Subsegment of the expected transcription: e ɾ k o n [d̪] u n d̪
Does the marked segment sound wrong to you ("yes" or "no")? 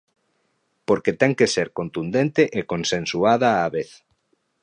yes